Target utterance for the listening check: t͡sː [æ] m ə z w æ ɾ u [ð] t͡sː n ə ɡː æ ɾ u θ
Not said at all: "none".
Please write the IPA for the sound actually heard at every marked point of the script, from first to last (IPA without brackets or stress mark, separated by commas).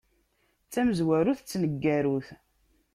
æ, θ